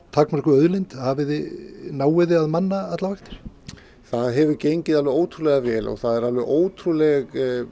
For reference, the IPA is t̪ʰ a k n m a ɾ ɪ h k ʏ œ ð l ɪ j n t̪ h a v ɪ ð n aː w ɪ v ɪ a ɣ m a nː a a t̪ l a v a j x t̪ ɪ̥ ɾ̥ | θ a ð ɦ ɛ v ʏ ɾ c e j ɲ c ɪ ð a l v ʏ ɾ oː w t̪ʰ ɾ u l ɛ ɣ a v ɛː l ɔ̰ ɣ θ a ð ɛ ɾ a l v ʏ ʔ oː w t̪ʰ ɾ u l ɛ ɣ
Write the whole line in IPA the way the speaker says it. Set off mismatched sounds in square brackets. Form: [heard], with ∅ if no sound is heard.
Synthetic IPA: t̪ʰ a k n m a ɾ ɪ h k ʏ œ ð l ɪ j n t̪ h a v ɪ ð n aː w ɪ [ð] ɪ a [ð] m a nː a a t̪ l a v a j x t̪ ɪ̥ ɾ̥ | θ a ð ɦ ɛ v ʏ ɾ c e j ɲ c ɪ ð a l v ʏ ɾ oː w t̪ʰ ɾ u l ɛ ɣ a v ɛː l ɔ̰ ɣ θ a ð ɛ ɾ a l v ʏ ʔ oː w t̪ʰ ɾ u l ɛ ɣ